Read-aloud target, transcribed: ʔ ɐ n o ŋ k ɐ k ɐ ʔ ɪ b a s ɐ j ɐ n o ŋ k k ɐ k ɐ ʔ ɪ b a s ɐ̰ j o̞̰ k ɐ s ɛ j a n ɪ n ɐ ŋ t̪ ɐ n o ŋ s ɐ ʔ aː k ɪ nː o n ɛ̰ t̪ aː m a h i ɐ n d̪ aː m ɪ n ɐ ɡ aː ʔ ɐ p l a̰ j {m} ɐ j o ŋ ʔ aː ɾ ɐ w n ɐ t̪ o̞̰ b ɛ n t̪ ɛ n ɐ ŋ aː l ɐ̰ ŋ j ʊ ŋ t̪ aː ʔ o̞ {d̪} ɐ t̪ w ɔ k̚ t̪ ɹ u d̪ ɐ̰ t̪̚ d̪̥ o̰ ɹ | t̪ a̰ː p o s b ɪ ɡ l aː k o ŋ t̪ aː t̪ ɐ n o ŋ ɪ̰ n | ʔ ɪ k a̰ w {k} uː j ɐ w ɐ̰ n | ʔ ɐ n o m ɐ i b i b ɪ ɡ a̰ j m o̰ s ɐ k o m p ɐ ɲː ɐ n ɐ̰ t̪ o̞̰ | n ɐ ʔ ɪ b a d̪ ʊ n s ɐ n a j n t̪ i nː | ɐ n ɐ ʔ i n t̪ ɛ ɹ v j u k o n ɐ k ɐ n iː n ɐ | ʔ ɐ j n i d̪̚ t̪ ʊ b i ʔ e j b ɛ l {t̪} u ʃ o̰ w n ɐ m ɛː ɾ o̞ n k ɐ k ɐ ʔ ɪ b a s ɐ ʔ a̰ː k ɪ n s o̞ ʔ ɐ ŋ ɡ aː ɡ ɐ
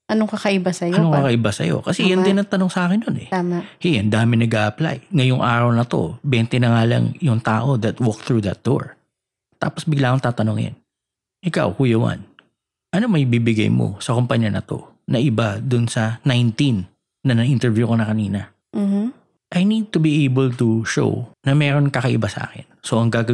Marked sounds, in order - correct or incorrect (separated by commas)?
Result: incorrect, correct, correct, correct